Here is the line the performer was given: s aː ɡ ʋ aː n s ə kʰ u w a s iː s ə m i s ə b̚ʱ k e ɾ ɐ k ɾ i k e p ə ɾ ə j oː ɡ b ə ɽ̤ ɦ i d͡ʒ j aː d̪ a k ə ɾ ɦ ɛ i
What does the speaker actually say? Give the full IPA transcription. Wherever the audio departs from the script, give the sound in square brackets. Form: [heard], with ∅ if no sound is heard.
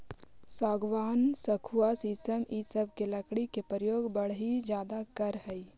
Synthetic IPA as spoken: s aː ɡ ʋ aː n s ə kʰ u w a s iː s ə m i s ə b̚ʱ k e [l] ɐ k [ɽ] i k e p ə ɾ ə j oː ɡ b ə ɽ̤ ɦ i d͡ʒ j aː d̪ a k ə ɾ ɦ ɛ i